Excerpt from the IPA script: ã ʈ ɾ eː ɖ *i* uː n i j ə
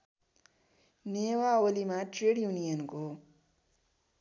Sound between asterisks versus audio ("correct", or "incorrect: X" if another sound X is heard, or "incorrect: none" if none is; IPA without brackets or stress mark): incorrect: j